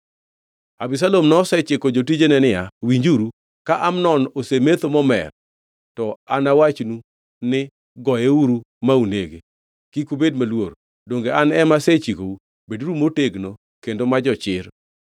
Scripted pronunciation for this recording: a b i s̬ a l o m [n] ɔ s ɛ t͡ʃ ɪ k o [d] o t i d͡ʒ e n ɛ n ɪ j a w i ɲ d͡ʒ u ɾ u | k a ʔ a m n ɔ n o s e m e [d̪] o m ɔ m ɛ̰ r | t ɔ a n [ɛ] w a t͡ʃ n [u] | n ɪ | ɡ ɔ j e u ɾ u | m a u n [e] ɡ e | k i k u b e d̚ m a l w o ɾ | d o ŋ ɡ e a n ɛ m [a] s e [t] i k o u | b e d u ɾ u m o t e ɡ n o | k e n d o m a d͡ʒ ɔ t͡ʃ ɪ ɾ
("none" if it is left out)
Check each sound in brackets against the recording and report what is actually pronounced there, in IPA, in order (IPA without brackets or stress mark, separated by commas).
n, d͡ʒ, t̪, a, u, e, a, t͡ʃ